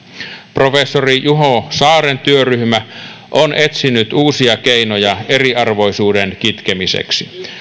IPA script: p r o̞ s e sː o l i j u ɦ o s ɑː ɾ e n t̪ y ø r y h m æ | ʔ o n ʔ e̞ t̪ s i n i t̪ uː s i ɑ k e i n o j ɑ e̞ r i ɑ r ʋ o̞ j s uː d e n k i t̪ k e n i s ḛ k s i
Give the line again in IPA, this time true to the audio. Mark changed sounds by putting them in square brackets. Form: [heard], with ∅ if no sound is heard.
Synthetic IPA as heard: p r o̞ [f] e sː o [r] i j u ɦ o s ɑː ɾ e n t̪ y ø r y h m æ | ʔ o n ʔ e̞ t̪ s i n [y] t̪ uː s i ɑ k e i n o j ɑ e̞ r i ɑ r ʋ o̞ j s uː d e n k i t̪ k e [m] i s ḛ k s i